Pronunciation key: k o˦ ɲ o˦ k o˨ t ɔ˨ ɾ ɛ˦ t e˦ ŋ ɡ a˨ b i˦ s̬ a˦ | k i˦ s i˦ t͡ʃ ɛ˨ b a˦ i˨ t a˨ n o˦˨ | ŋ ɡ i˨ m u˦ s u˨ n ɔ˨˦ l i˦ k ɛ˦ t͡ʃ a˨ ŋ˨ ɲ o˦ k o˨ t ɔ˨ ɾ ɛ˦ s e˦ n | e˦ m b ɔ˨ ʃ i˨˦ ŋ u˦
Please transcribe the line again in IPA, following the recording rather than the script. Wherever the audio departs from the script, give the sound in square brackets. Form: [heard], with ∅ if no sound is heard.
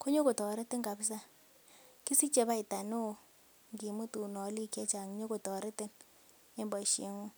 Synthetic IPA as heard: k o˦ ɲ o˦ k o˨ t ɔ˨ ɾ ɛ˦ t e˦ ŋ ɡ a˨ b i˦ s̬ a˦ | k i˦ s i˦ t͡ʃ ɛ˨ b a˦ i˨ t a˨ n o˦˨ | ŋ ɡ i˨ m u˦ [t] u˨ n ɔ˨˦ l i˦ k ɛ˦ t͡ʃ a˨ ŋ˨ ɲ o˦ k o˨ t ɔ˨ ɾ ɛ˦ [t] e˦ n | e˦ m b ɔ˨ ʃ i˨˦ ŋ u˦